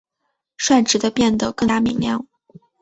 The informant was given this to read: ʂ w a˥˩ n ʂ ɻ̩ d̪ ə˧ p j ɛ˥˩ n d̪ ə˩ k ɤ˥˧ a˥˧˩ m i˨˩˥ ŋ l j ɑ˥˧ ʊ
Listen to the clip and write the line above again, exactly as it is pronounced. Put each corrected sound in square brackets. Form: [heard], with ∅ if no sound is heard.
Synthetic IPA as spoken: ʂ w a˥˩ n [ʈ͡ʂ] ɻ̩ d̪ ə˧ p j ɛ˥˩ n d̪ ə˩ k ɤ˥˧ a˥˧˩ m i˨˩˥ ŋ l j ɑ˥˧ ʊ